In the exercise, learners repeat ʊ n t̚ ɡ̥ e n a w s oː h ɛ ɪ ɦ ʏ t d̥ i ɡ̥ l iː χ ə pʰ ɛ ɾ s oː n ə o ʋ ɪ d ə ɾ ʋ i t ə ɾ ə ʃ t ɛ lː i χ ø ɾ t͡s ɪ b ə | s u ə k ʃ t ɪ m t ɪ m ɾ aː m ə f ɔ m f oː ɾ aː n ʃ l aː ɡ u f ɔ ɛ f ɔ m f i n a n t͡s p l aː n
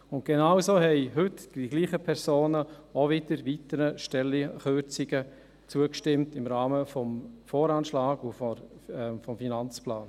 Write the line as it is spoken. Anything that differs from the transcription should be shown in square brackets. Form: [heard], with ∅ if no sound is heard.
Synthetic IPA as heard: ʊ n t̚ ɡ̥ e n a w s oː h ɛ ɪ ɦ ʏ t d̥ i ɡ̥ l iː χ ə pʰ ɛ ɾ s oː n ə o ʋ ɪ d ə ɾ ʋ i t ə ɾ ə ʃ t ɛ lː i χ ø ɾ t͡s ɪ [ɡ] ə | [t͡s] u ə k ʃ t ɪ m t ɪ m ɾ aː m ə f ɔ m f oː ɾ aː n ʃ l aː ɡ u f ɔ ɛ f ɔ m f i n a n t͡s p l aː n